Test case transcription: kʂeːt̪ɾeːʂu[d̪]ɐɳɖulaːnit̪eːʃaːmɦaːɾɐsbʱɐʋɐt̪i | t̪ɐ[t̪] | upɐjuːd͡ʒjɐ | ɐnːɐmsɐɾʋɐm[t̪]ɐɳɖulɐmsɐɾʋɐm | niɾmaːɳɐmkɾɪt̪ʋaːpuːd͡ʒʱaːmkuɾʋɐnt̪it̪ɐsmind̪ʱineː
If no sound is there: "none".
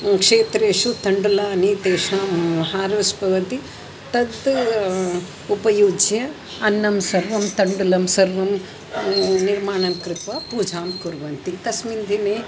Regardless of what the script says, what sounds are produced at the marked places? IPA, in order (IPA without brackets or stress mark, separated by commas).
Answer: t̪, d̪, t̪